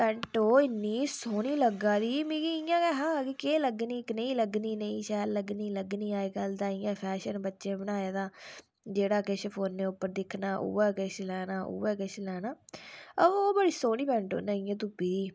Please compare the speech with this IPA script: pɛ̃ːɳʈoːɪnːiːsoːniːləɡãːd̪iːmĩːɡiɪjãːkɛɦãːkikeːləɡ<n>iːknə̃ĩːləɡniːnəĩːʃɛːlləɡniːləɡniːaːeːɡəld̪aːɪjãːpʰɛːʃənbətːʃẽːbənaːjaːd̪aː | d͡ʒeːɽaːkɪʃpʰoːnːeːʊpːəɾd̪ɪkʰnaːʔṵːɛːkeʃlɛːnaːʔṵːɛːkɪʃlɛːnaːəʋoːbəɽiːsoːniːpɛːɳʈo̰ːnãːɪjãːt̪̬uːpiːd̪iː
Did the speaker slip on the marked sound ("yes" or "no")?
no